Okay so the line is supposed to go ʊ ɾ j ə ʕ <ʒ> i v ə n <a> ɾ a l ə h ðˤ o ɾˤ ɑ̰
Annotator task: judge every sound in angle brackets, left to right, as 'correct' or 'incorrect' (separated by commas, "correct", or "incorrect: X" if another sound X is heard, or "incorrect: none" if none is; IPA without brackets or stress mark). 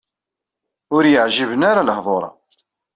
correct, correct